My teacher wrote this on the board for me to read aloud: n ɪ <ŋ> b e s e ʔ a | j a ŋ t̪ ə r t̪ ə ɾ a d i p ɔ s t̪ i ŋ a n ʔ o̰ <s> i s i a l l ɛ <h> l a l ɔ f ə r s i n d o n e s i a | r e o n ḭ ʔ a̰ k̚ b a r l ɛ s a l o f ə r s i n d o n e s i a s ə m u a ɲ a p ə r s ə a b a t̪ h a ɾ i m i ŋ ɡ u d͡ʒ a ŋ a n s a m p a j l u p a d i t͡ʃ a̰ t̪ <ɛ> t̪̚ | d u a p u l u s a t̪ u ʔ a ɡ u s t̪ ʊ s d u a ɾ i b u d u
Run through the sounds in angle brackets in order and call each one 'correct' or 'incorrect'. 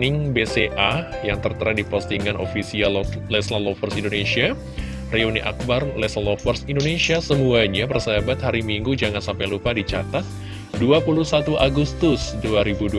correct, incorrect: f, incorrect: s, incorrect: a

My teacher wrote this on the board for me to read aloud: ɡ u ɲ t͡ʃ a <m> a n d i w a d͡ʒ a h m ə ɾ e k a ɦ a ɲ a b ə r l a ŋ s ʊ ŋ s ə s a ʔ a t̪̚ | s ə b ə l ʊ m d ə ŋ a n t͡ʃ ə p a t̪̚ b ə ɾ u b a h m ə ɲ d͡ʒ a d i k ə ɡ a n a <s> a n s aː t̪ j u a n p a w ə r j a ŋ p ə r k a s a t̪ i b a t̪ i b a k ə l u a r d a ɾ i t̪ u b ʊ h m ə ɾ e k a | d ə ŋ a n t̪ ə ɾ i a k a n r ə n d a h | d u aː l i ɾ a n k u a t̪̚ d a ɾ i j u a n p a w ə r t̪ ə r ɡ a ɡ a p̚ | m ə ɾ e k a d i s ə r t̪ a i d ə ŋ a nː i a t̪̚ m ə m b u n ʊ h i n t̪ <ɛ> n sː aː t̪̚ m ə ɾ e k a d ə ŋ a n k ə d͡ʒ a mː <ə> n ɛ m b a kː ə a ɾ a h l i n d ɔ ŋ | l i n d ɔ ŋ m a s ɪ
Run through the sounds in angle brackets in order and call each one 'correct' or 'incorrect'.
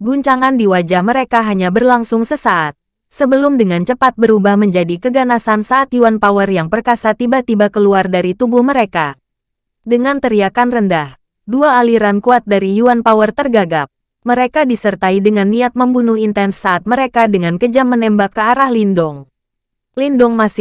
incorrect: ŋ, correct, correct, correct

